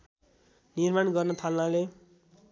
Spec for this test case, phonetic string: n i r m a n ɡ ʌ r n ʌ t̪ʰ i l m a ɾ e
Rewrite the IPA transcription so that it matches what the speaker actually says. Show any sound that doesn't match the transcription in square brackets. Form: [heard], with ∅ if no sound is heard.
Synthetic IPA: n i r m a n ɡ ʌ r n ʌ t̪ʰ [a] l [n] a [l] e